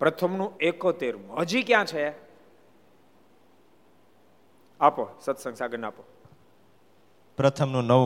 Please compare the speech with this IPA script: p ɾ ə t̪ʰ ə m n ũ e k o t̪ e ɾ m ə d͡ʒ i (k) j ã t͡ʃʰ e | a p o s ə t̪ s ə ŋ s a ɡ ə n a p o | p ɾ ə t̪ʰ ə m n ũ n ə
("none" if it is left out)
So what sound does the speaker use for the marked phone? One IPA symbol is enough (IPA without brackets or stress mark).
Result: k